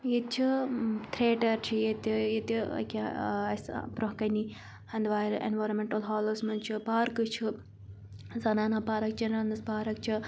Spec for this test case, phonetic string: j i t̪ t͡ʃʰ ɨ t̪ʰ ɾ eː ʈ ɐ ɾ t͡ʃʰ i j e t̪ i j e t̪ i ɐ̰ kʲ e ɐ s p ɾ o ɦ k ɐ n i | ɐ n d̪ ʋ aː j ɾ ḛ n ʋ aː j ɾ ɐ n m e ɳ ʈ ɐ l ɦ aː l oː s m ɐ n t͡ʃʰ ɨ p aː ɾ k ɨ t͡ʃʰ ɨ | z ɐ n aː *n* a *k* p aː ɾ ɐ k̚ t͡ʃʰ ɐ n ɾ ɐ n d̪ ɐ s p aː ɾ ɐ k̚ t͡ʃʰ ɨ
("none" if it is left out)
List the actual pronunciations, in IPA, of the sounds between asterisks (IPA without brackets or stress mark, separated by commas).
n, none